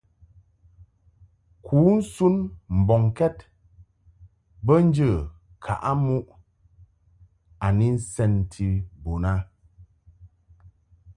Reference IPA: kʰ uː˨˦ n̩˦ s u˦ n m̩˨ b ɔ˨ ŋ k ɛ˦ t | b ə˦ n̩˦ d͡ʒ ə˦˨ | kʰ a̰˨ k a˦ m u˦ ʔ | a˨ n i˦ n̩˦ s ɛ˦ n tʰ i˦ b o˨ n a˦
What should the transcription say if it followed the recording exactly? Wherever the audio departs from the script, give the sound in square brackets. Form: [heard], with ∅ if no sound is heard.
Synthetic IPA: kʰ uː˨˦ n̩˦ s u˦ n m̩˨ b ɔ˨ ŋ k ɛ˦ t | b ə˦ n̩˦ d͡ʒ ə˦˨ | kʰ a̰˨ [ʔ] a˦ m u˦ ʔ | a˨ n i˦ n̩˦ s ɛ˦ n tʰ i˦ b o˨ n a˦